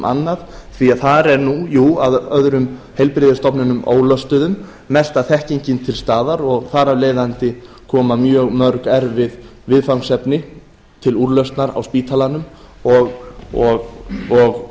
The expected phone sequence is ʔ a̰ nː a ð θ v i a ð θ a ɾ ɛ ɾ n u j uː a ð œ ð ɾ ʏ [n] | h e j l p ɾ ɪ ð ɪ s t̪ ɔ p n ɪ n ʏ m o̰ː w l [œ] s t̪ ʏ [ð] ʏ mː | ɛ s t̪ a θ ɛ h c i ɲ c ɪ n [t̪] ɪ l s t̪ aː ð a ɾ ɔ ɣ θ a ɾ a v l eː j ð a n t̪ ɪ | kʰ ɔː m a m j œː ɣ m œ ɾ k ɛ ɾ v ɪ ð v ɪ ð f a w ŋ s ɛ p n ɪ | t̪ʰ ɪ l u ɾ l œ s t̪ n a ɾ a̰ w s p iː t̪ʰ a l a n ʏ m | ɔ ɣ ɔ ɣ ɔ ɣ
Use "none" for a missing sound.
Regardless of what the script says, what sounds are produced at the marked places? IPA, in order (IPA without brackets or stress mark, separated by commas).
m, œ, ð, t̪ʰ